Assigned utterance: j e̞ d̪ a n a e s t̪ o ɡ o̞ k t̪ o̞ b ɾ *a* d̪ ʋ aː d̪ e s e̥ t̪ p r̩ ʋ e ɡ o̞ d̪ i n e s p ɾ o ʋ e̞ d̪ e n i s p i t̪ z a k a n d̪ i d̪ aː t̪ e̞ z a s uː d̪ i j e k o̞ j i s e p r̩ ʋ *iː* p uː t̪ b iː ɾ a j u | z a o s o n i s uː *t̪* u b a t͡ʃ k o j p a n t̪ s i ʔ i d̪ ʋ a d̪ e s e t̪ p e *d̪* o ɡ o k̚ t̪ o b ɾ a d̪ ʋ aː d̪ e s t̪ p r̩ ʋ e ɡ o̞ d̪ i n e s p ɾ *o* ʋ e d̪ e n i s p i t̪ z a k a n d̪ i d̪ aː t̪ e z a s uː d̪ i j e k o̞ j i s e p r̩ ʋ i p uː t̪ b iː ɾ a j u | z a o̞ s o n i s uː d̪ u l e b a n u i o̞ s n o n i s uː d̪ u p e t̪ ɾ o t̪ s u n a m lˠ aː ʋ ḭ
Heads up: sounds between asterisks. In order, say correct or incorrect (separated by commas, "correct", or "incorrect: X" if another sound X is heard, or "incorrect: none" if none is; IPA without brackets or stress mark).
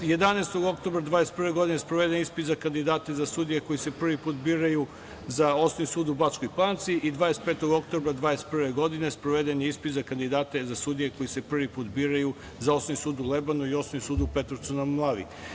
correct, incorrect: i, incorrect: d̪, incorrect: t̪, correct